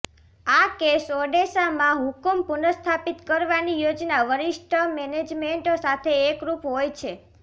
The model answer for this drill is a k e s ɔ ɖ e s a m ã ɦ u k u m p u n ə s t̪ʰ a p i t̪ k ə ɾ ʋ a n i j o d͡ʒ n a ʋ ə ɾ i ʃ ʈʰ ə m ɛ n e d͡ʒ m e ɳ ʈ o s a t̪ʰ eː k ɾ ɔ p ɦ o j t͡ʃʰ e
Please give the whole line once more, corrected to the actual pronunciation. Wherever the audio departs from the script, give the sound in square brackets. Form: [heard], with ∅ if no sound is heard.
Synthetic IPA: a k e s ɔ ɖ e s a m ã ɦ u k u m p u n ə s t̪ʰ a p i t̪ k ə ɾ ʋ a n i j o d͡ʒ n a ʋ ə ɾ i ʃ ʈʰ ə m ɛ n e d͡ʒ m e ɳ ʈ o s a t̪ʰ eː k ɾ [u] p ɦ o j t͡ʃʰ e